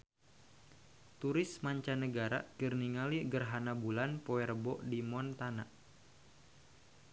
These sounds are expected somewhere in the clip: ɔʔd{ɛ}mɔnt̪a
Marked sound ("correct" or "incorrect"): incorrect